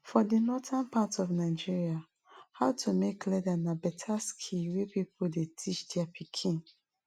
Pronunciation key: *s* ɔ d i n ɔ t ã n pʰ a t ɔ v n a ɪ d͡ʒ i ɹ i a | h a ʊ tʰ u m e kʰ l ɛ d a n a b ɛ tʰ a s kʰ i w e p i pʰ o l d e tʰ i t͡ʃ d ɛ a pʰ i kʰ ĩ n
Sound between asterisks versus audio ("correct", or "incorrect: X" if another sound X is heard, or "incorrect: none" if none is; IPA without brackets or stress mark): incorrect: f